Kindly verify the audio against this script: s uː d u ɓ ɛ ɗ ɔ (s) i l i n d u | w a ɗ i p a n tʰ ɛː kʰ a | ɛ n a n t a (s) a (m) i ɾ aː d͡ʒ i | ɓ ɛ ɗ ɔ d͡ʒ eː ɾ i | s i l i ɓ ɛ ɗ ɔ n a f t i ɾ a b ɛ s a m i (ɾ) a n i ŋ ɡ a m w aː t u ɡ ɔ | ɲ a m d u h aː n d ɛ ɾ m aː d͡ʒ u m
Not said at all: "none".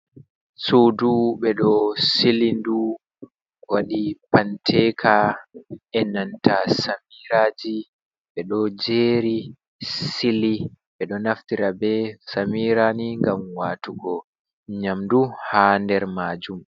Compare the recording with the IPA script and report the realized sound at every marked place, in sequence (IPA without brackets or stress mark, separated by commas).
s, s, m, ɾ